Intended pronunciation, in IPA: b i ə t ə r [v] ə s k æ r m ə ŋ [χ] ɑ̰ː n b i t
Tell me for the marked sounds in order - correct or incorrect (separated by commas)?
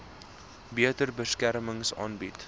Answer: incorrect, incorrect